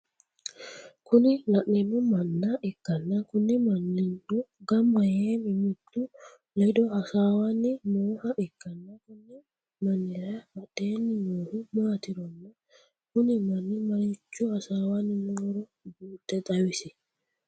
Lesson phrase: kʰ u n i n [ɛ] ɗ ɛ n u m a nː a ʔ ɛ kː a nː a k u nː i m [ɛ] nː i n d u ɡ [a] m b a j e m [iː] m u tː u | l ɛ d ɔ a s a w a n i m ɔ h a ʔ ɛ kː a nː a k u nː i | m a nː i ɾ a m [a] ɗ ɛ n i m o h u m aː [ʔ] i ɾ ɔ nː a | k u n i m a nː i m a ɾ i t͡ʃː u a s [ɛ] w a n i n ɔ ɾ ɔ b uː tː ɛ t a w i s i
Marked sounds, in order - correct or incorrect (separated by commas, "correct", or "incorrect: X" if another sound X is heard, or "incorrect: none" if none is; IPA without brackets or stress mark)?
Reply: incorrect: a, incorrect: a, correct, incorrect: i, correct, incorrect: t, incorrect: a